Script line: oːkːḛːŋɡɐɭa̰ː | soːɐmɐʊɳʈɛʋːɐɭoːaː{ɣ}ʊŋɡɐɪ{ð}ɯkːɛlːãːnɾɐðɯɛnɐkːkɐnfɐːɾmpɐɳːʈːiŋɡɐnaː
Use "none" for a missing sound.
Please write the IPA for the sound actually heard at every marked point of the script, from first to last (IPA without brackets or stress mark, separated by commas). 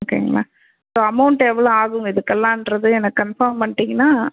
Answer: ɣ, ð